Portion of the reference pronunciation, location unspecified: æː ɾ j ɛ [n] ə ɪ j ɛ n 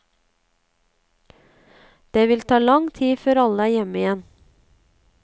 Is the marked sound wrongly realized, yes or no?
yes